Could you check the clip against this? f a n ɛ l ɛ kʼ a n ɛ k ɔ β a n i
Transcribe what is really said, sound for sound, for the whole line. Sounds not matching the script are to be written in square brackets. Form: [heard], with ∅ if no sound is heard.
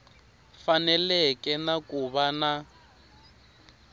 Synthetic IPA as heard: f a n ɛ l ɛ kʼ [ɛ] n [a] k [u] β a n [a]